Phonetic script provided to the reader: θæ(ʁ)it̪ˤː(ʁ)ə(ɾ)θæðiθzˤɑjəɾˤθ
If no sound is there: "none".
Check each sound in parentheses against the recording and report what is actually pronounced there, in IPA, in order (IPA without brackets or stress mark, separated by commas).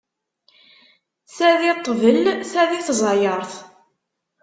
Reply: ð, v, l